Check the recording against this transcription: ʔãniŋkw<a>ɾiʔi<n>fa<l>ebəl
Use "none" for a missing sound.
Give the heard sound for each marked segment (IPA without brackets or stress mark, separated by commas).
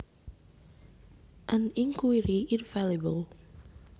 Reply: i, n, l